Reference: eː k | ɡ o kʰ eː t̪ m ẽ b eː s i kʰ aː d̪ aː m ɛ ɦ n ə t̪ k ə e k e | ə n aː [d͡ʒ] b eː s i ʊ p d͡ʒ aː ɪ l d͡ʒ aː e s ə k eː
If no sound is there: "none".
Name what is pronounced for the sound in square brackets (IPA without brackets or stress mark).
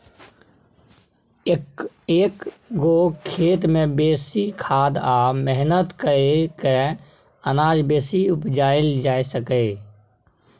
d͡ʒ